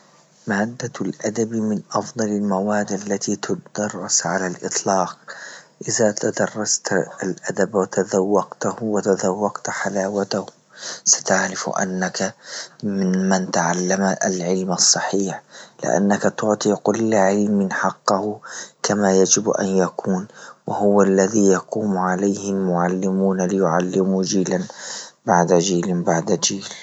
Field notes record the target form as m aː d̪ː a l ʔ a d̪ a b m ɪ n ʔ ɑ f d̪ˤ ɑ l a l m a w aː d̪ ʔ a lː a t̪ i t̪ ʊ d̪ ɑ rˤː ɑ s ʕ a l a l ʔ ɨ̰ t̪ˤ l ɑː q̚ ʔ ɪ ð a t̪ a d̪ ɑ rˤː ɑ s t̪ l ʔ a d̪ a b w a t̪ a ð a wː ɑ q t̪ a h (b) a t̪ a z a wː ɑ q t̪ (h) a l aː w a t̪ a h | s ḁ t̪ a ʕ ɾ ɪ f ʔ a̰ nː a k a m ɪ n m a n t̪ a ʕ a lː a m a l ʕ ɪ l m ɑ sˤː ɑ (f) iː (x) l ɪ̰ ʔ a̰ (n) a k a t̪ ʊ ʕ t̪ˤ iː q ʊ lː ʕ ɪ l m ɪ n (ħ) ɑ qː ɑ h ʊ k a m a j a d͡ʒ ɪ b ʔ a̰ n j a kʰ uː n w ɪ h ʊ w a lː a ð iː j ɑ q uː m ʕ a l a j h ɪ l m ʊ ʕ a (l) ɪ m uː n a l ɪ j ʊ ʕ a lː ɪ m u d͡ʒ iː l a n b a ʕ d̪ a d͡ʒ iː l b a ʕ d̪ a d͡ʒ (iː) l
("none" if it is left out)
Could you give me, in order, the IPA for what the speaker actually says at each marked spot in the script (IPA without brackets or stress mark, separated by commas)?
w, ħ, ħ, ħ, nː, ħ, lː, iː